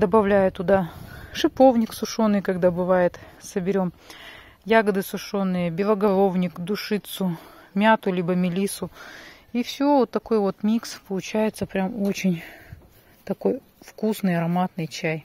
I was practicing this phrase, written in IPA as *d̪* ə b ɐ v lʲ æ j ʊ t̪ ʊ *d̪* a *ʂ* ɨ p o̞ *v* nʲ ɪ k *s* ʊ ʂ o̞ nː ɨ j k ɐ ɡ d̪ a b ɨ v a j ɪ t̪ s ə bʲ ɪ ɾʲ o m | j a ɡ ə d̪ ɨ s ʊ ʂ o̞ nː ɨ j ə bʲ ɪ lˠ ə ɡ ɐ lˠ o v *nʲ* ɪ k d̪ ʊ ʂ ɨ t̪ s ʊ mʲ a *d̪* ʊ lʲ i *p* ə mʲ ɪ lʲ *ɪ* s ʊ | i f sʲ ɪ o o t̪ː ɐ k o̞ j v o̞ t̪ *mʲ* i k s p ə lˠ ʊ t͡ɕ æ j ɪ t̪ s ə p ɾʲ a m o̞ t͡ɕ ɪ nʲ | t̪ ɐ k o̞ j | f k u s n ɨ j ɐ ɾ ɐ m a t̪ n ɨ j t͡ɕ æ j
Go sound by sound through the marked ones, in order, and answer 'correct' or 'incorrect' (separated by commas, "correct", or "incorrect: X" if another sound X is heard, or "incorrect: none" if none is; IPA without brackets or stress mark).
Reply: correct, correct, correct, correct, correct, correct, incorrect: t̪, incorrect: b, incorrect: i, correct